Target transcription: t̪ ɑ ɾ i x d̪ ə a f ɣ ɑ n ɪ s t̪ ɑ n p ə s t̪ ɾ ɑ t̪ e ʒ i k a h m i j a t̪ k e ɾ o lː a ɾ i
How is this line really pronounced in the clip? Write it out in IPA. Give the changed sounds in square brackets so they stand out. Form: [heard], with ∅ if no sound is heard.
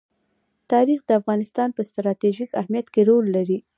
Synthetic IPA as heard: t̪ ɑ ɾ i x d̪ ə a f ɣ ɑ n ɪ s t̪ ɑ n p ə s t̪ ɾ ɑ t̪ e ʒ i k a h m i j a t̪ k e ɾ o lː a ɾ i